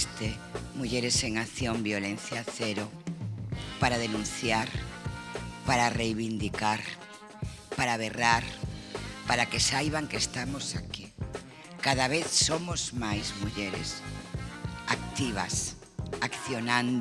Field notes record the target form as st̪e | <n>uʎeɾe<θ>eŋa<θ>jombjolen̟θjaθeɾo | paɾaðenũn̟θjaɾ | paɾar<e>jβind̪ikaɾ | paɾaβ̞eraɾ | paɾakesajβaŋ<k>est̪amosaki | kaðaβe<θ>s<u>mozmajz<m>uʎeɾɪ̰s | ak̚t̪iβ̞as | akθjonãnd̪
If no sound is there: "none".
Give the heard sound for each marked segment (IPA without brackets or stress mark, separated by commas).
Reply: m, s, θ, e, k, θ, o, m